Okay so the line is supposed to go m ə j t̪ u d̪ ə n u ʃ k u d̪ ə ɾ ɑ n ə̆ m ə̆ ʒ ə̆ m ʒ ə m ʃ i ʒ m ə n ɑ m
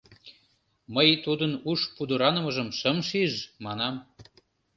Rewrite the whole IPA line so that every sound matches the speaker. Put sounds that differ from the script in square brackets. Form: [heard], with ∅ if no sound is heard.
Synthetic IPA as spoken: m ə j t̪ u d̪ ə n u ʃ [p] u d̪ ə ɾ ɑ n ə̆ m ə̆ ʒ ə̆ m [ʃ] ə m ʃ i ʒ m [ɑ] n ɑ m